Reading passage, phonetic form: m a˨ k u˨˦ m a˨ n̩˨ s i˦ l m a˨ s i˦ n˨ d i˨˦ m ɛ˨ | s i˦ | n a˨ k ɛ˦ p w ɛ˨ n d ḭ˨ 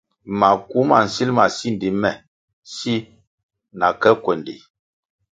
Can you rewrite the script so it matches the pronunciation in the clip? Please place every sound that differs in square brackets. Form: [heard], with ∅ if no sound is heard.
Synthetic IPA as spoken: m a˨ k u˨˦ m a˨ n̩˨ s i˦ l m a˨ s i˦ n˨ d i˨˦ m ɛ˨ | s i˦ | n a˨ k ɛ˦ [k] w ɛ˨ n d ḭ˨